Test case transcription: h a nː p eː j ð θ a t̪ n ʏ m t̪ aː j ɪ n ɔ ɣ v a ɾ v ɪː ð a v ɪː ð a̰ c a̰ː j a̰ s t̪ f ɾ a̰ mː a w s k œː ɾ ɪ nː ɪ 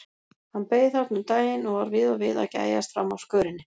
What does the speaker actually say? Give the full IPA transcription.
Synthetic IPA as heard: h a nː p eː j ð θ a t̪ n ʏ m t̪ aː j ɪ n ɔ ɣ v a ɾ v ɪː ð a v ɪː ð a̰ c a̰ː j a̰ s t̪ f ɾ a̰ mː a w s k œː ɾ ɪ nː ɪ

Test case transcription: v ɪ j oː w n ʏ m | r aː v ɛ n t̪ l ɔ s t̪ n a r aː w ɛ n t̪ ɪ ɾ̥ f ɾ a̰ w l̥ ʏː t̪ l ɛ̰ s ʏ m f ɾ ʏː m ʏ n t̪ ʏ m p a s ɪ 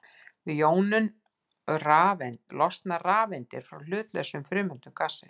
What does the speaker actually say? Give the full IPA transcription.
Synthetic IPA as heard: v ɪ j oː w n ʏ n | r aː v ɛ n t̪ l ɔ s t̪ n a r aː v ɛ n t̪ ɪ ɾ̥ f ɾ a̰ w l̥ ʏː t̪ l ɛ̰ s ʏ m f ɾ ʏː m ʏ n t̪ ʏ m k a s ɪ

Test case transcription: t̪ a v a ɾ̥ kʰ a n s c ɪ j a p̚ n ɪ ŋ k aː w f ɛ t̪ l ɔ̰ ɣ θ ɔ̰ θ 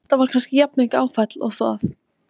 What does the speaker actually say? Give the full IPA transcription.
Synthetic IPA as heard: t̪ a v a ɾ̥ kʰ a n s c ɪ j a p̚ n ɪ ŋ k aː w f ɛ t̪ l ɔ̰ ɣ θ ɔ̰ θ

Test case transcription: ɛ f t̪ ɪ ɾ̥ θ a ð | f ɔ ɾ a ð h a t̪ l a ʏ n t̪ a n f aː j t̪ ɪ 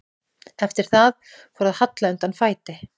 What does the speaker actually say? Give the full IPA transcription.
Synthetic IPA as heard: ɛ f t̪ ɪ ɾ̥ θ a ð | f ɔ ɾ a ð h a t̪ l a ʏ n t̪ a n f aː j t̪ ɪ

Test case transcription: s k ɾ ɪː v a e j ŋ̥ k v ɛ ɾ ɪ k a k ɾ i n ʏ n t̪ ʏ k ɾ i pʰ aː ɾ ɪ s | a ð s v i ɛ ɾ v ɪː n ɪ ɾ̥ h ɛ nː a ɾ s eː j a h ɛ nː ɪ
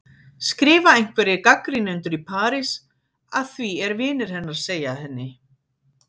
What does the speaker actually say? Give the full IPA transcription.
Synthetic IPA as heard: s k ɾ ɪː v a e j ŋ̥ k v ɛ ɾ ɪ k a k ɾ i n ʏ n t̪ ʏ ɾ i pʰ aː ɾ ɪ s | a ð θ v i ɛ ɾ v ɪː n ɪ ɾ̥ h ɛ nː a ɾ s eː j a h ɛ nː ɪ

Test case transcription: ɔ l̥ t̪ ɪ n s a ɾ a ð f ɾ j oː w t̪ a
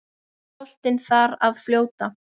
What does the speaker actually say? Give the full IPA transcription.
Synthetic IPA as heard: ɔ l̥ t̪ ɪ n θ a ɾ a ð f l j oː w t̪ a

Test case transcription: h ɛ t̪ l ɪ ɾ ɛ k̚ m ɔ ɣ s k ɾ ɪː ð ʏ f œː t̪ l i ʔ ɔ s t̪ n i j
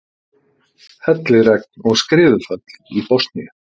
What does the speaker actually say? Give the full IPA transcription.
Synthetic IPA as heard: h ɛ t̪ l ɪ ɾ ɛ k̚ n ɔ ɣ s k ɾ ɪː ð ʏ f œ t̪ l i p ɔ s t̪ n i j

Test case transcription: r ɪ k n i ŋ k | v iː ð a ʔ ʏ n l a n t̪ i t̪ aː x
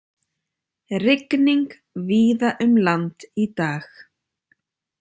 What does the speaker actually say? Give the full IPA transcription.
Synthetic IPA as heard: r ɪ k n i ŋ k | v iː ð a ʔ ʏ m l a n t̪ i t̪ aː x

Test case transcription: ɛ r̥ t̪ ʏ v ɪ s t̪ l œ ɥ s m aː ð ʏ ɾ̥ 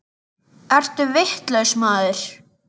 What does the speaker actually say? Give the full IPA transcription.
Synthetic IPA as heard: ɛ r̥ t̪ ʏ v ɪ h t̪ l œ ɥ s m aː ð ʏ ɾ̥

